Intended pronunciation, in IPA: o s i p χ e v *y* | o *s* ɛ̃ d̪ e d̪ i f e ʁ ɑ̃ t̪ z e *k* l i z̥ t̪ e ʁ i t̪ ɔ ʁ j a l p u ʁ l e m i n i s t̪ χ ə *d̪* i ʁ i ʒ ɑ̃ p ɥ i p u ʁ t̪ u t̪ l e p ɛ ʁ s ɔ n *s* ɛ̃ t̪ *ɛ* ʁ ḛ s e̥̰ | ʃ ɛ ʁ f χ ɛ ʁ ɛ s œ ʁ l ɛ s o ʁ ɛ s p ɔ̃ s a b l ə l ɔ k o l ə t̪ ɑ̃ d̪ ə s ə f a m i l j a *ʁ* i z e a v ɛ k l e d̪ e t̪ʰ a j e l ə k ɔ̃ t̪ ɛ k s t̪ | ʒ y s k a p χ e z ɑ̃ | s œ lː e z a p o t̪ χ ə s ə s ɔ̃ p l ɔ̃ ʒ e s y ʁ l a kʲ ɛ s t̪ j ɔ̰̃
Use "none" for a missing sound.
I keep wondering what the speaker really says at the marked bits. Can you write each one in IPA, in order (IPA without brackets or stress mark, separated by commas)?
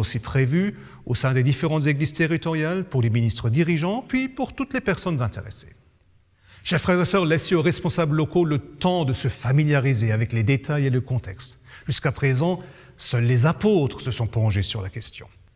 y, s, ɡ, d̪, z, e, ʁ